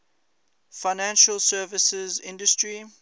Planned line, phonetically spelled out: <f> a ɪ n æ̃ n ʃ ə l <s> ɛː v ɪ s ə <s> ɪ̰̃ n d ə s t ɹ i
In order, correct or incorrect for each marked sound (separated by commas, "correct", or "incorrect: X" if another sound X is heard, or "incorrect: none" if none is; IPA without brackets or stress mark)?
correct, correct, incorrect: z